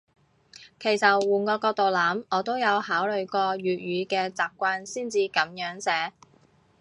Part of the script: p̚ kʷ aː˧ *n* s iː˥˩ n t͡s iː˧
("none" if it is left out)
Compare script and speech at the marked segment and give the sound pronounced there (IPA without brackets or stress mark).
n